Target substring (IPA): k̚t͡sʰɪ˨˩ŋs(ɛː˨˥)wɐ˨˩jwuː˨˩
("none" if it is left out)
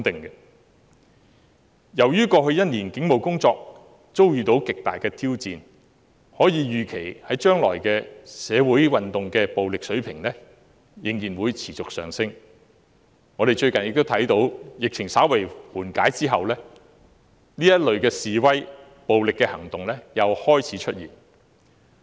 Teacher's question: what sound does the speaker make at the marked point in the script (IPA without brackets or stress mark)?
aː˨˥